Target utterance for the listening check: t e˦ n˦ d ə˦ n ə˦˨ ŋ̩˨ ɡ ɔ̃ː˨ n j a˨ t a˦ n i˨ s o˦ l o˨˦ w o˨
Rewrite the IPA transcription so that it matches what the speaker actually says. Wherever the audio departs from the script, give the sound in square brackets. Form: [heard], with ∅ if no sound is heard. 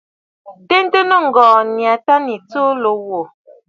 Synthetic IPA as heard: t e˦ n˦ [t] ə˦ n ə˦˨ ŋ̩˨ ɡ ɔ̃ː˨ n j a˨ t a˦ n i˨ [t͡s] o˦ l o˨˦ w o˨